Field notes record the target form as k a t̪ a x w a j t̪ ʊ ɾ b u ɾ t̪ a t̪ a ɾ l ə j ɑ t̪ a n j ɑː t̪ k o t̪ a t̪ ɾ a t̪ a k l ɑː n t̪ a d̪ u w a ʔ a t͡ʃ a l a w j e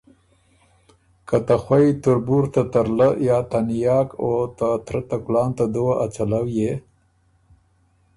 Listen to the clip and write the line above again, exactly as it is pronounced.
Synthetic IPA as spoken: k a t̪ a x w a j t̪ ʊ ɾ b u ɾ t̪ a t̪ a ɾ l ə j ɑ t̪ a n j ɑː k o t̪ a t̪ ɾ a t̪ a k l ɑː n t̪ a d̪ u w a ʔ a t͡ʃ a l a w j e